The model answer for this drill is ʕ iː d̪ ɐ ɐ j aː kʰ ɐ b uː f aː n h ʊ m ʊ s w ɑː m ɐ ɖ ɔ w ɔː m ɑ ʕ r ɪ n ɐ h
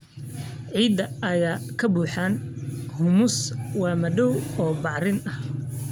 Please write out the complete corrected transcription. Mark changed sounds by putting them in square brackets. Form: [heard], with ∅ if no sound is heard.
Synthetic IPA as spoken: ʕ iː d̪ ɐ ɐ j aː kʰ ɐ b uː [ħ] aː n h ʊ m ʊ s w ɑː m ɐ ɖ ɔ w ɔː [b] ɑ ʕ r ɪ n ɐ h